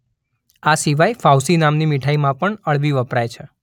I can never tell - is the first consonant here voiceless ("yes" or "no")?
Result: yes